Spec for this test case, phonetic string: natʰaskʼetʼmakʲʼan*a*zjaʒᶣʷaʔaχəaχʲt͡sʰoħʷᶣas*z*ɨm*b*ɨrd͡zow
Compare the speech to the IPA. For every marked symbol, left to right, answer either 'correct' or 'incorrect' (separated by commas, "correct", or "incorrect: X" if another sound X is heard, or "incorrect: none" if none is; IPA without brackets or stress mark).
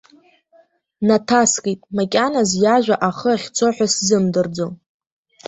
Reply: correct, correct, incorrect: d